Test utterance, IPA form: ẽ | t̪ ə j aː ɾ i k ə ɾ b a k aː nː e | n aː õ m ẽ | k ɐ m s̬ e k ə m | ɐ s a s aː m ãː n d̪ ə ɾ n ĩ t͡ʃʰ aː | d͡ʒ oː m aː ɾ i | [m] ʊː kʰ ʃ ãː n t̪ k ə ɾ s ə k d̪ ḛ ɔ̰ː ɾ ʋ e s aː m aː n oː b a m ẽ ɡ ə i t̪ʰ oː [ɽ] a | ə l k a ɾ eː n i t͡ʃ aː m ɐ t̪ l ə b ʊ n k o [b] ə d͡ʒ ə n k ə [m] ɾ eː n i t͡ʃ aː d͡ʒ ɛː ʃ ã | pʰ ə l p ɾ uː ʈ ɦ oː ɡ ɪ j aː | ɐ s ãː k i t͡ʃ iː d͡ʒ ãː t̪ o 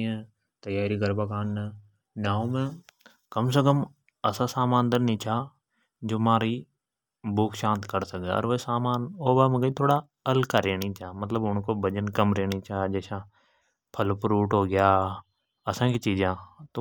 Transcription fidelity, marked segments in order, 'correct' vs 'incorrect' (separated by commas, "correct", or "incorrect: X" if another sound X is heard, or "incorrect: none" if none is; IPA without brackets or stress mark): incorrect: b, correct, correct, correct